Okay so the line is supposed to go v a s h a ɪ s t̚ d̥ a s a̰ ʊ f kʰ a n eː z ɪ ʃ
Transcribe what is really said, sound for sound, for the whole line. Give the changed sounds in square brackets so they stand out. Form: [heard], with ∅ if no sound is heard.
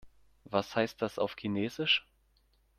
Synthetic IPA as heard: v a s h a ɪ s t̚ d̥ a s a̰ ʊ f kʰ [i] n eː z ɪ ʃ